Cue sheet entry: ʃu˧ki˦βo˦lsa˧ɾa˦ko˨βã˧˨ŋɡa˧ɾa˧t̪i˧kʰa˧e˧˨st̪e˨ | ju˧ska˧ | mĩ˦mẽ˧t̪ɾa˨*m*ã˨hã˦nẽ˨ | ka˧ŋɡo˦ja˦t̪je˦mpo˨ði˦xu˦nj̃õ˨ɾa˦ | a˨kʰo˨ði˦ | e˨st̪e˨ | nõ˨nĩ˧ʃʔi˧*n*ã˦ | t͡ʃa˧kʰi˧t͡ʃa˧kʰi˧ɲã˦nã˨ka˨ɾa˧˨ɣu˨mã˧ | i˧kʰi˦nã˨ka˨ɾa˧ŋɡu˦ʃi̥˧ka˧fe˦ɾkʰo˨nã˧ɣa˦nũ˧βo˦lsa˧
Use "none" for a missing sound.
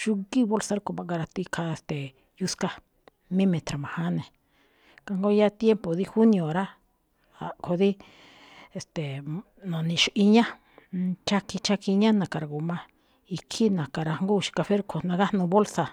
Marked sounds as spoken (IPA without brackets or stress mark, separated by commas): m, ɲ